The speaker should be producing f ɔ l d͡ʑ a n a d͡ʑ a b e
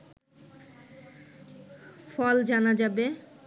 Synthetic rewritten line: f ɔ l d͡ʑ a n a d͡ʑ a b e